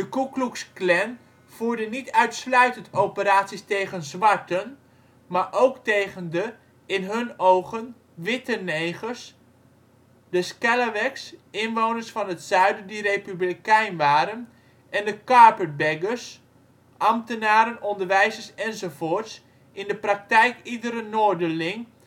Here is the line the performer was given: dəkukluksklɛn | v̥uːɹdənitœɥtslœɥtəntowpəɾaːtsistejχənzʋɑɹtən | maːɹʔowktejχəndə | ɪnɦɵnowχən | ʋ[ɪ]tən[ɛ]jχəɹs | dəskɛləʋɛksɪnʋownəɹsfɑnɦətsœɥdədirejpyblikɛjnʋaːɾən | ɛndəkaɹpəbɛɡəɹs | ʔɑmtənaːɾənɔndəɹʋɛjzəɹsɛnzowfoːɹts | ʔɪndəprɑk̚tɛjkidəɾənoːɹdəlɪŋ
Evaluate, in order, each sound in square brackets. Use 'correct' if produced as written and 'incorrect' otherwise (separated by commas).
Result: correct, incorrect